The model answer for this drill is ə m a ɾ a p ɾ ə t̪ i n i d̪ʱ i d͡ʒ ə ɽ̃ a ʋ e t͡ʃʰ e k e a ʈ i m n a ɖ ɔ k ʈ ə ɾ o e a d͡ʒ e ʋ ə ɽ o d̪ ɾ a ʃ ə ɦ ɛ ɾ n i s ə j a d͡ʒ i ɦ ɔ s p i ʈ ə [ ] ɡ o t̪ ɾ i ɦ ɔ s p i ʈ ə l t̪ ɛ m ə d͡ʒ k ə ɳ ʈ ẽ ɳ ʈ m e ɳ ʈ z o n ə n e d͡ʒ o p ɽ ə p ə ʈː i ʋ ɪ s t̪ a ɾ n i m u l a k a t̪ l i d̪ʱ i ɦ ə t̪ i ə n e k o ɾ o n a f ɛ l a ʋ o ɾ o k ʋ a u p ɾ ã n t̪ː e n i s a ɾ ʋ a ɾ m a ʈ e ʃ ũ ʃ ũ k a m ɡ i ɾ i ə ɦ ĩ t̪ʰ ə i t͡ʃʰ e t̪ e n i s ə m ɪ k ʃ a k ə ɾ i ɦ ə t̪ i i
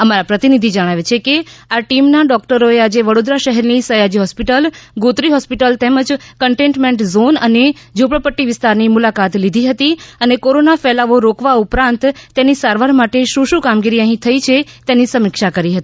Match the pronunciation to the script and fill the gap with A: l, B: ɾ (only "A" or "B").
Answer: A